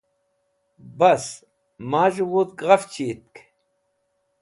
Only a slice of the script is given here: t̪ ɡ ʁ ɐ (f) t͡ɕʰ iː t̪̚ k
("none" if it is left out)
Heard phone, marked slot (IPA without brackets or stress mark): f